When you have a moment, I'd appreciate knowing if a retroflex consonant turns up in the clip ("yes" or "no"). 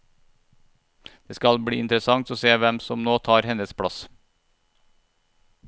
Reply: yes